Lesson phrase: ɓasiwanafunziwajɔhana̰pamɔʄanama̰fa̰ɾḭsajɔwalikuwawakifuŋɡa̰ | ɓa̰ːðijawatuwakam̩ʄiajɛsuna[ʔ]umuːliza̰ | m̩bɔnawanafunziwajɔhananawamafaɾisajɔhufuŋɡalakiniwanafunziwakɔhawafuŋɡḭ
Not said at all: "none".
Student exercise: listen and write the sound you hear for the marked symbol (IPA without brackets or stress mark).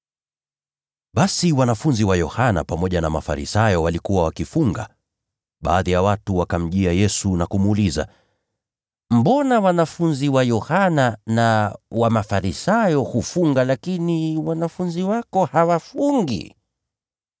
k